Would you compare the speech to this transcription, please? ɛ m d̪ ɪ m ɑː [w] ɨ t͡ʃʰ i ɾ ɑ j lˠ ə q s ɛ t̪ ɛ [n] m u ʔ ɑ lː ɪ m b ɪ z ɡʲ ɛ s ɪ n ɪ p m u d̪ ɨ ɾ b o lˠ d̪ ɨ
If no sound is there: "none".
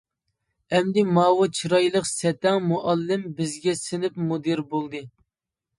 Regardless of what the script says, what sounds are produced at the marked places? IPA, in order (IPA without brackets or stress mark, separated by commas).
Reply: w, ŋ